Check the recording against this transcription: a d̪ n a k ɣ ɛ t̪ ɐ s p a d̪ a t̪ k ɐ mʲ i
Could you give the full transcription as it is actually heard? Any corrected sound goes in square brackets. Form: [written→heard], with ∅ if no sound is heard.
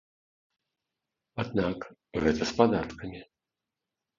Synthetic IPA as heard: a d̪ n a k ɣ ɛ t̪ ɐ s p a d̪ a t̪ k ɐ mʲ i